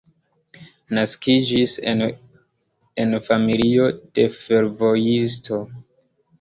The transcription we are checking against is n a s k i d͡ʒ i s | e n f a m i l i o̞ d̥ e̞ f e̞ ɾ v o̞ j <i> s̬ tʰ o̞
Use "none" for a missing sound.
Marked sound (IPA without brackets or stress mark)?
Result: i